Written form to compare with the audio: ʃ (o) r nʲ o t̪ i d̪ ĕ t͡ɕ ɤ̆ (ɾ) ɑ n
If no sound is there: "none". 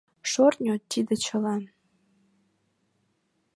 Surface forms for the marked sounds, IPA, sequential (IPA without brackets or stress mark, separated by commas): o, l